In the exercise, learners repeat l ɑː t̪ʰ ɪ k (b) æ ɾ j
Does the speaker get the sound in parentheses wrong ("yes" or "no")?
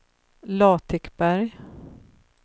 no